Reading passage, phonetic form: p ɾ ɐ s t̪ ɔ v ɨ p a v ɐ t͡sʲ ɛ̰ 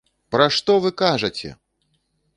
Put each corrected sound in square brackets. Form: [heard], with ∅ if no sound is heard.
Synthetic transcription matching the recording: p ɾ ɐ [ʂ] t̪ ɔ v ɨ [k] a [ʐ] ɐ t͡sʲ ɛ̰